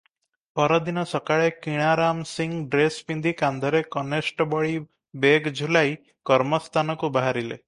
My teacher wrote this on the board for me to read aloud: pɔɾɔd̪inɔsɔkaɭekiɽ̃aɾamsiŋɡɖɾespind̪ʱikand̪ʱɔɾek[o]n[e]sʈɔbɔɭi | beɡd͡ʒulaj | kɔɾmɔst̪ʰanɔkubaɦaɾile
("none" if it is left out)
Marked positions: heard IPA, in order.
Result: ɔ, e

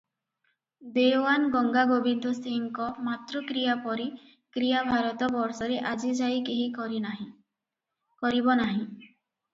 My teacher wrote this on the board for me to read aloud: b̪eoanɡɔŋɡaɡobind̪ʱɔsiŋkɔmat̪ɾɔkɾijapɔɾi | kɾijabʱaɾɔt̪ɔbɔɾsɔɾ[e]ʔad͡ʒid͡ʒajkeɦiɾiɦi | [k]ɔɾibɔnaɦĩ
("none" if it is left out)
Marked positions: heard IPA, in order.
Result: e, k

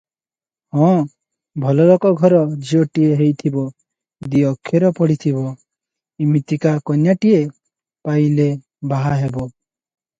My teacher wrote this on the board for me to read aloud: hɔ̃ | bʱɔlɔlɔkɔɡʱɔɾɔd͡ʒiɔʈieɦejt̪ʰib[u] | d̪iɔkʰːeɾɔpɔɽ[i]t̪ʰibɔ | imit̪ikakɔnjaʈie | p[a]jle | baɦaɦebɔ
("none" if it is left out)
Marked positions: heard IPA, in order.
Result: ɔ, i, a

